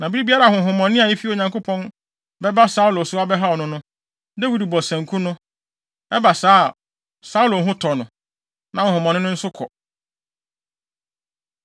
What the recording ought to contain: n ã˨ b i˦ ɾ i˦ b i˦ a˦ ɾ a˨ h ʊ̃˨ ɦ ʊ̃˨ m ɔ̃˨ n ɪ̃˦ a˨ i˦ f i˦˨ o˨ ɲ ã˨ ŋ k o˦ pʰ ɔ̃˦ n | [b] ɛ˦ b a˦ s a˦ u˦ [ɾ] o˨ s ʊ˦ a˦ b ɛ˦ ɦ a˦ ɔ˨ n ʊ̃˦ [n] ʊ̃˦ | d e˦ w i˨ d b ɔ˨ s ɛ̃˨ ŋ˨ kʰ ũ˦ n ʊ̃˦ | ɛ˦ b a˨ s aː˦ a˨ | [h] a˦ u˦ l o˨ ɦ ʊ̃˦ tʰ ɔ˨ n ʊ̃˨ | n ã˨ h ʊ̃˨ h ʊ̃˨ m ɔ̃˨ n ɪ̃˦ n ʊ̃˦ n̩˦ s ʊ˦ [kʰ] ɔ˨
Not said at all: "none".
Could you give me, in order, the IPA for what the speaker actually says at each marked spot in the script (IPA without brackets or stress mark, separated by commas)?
b, l, n, s, kʰ